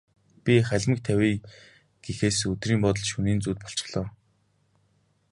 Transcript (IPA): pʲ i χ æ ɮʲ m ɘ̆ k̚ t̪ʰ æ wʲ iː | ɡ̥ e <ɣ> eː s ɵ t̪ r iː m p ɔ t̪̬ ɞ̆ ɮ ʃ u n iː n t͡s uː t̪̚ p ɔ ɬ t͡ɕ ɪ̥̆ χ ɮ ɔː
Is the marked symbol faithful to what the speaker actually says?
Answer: no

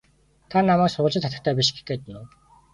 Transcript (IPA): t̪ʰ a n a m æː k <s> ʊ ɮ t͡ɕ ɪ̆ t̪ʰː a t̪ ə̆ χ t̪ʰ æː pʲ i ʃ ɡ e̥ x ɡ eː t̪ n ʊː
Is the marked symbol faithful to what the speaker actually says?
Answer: yes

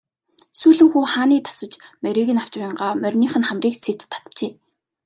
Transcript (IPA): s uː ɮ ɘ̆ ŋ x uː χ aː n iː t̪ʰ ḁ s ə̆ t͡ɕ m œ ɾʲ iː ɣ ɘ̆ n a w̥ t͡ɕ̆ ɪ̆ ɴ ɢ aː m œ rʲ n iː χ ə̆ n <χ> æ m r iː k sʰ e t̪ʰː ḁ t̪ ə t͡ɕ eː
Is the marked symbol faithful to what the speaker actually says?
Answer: yes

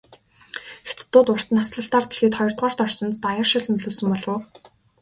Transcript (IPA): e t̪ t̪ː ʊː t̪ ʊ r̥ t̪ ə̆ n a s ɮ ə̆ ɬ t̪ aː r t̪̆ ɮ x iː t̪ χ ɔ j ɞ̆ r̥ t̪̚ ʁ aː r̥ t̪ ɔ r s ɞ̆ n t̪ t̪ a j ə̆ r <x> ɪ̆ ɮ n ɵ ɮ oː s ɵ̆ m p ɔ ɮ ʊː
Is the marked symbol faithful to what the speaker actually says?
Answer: no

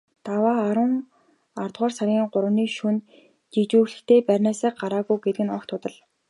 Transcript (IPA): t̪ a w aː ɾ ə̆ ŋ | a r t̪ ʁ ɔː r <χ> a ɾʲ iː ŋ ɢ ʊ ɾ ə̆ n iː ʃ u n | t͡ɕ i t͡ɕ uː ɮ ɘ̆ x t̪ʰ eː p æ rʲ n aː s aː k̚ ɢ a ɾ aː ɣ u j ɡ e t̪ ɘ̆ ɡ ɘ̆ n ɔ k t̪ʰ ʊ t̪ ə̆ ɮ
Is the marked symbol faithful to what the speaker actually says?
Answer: no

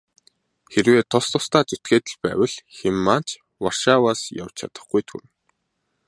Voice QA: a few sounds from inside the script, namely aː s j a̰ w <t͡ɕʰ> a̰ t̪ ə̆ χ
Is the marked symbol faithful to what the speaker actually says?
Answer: yes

